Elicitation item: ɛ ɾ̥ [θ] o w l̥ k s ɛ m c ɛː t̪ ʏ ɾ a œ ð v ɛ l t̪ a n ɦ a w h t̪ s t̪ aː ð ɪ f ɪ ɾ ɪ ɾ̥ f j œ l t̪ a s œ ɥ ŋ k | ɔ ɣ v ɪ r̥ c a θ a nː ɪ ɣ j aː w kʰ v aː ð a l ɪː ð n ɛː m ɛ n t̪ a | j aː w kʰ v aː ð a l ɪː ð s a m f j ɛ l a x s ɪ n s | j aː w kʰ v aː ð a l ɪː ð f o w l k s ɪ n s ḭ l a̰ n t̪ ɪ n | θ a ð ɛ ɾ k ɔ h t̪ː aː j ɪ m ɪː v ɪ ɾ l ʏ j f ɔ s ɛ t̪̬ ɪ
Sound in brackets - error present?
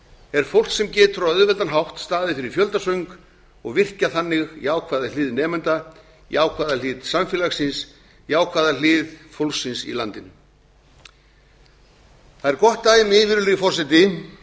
yes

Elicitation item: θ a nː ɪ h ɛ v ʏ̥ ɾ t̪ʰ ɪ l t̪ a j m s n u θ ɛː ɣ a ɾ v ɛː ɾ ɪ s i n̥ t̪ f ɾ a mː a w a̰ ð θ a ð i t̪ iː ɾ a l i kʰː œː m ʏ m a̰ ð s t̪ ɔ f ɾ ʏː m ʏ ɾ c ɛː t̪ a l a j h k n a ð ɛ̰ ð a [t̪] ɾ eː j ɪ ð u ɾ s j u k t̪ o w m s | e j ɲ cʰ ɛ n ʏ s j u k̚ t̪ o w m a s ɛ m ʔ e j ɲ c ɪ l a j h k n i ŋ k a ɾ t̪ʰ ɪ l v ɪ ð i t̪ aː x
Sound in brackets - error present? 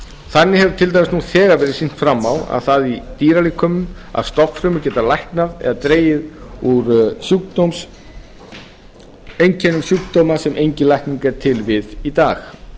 no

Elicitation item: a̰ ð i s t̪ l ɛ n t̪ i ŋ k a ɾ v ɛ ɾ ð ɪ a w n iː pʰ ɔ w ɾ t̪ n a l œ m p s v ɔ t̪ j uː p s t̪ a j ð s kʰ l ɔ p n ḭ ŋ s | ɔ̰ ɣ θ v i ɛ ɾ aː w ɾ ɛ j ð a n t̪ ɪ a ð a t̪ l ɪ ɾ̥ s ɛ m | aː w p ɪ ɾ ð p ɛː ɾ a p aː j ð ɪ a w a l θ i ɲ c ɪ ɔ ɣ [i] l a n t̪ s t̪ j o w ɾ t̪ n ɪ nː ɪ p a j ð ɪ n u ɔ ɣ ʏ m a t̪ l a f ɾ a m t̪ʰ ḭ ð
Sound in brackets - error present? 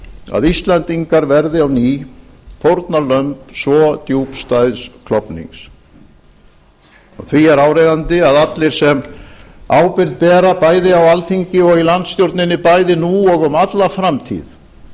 no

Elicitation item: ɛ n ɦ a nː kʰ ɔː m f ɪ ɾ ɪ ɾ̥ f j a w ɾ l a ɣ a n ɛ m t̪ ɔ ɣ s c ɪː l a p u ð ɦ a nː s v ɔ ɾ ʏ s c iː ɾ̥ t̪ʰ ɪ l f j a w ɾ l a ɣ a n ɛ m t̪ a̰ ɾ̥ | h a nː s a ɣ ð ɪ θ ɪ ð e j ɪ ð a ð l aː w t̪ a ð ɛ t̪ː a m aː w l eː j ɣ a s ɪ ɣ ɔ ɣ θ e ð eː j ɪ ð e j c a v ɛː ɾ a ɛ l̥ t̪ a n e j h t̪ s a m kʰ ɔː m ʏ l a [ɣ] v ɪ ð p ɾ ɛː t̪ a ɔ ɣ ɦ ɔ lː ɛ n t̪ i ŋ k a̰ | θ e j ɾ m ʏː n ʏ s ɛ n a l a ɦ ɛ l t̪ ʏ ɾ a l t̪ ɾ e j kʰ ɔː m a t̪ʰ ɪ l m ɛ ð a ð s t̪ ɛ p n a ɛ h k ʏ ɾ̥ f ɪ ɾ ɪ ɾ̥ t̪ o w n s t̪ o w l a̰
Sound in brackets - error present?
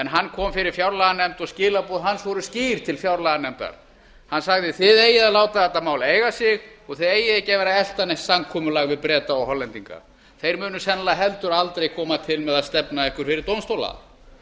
no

